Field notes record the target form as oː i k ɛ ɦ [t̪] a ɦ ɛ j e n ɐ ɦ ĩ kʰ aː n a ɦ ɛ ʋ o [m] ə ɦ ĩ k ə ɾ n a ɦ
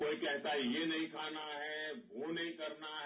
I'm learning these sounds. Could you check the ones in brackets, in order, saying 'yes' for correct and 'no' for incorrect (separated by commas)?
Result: yes, no